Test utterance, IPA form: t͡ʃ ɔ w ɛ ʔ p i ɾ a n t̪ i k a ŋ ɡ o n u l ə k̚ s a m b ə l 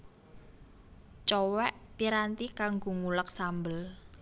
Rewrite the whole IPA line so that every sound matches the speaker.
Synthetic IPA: t͡ʃ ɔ w ɛ ʔ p i ɾ a n t̪ i k a ŋ ɡ o ŋ u l ə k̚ s a m b ə l

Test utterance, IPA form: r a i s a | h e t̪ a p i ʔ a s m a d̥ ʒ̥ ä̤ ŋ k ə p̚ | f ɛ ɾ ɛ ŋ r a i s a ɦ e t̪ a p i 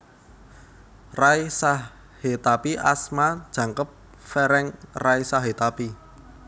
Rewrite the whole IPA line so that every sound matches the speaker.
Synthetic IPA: r a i s a | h e t̪ a p i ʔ a s m a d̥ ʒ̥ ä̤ ŋ k ə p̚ | f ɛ ɾ ɛ ŋ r a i s a ɦ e t̪ a p i

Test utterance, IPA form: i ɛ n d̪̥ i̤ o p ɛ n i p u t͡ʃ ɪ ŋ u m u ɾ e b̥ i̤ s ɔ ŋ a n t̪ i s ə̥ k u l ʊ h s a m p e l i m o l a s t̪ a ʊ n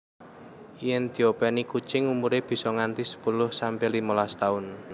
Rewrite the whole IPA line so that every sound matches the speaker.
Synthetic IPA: i ɛ n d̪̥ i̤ o p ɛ n i k u t͡ʃ ɪ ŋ u m u ɾ e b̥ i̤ s ɔ ŋ a n t̪ i s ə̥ p u l ʊ h s a m p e l i m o l a s t̪ a ʊ n

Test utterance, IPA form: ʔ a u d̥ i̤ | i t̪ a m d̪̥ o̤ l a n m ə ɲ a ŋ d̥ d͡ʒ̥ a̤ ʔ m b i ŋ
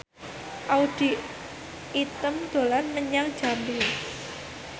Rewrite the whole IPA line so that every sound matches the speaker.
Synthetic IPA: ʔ a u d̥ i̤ | i t̪ ə m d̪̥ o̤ l a n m ə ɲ a ŋ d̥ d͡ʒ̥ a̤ m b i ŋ

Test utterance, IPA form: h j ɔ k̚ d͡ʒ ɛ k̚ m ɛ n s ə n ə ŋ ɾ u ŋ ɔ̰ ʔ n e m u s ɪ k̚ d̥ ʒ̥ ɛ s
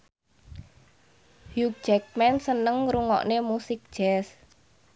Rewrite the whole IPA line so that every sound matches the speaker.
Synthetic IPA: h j u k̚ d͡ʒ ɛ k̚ m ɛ n s ə n ə ŋ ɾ u ŋ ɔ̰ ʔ n e m u s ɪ k̚ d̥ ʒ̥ ɛ s

